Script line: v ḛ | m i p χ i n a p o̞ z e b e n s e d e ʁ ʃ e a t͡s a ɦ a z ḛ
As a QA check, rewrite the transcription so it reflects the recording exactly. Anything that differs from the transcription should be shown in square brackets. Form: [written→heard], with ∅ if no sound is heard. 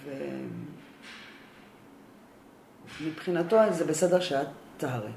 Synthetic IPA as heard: v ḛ | m i p χ i n a [p→t] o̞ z e b e [n→∅] s e d e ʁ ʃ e a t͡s a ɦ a [z→ʁ] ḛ